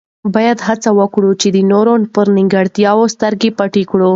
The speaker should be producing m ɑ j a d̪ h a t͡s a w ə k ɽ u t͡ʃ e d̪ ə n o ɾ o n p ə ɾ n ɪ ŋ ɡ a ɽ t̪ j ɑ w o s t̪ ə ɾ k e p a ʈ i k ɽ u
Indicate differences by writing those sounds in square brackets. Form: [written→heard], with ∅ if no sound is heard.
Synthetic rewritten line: [m→b] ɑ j a d̪ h a t͡s a w ə k ɽ u t͡ʃ e d̪ ə n o ɾ o n p ə ɾ n ɪ ŋ ɡ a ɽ t̪ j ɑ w o s t̪ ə ɾ [k→ɡ] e p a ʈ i k ɽ u